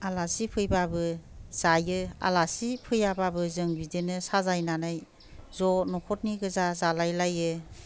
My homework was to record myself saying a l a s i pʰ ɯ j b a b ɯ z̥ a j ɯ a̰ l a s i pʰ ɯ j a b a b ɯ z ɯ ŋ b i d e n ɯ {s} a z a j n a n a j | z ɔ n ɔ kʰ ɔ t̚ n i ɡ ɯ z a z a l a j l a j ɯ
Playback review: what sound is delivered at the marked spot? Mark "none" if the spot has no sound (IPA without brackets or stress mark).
s